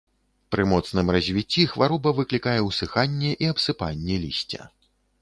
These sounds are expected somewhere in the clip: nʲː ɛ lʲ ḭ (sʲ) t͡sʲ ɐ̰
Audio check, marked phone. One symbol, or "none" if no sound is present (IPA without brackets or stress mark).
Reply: sʲ